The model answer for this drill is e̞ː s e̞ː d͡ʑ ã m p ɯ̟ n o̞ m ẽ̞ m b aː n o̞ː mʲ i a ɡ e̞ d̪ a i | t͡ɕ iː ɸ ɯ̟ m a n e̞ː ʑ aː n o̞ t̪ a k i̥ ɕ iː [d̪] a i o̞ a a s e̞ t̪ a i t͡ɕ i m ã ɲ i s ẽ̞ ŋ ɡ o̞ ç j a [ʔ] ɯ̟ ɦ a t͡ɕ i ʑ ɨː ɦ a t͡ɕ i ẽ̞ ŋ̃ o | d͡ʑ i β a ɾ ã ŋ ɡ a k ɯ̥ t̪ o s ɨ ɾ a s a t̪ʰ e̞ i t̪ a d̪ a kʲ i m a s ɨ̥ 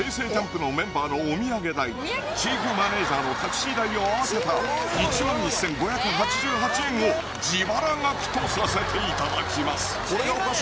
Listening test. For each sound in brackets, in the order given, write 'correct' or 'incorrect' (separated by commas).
correct, incorrect